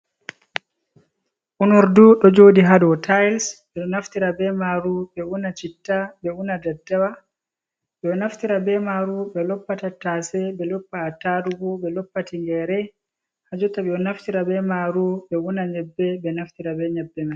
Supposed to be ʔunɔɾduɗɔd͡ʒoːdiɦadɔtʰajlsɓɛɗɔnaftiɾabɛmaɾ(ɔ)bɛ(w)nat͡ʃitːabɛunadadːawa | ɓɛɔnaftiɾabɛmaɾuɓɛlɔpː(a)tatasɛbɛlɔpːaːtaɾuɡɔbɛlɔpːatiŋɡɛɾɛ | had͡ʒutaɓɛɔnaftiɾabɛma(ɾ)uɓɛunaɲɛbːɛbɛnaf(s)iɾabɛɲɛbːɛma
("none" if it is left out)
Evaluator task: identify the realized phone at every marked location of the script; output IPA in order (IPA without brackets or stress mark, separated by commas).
u, u, a, ɾ, t